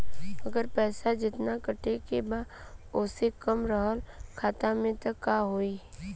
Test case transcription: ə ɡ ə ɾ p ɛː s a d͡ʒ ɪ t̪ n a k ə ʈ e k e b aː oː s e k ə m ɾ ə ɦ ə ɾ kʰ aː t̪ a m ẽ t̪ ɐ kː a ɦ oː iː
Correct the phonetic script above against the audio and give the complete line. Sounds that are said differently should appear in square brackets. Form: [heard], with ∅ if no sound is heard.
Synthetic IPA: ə ɡ ə ɾ p ɛː s a d͡ʒ ɪ t̪ n a k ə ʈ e k e b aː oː s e k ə m ɾ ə ɦ ə [l] kʰ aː t̪ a m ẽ t̪ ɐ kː a ɦ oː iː